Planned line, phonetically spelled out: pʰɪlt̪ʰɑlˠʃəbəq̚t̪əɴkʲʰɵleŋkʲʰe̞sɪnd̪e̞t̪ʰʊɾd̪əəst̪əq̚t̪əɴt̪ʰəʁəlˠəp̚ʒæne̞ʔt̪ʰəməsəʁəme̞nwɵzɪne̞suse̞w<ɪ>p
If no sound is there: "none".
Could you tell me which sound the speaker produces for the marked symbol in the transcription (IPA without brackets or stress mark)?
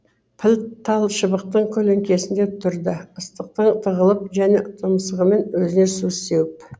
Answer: ɪ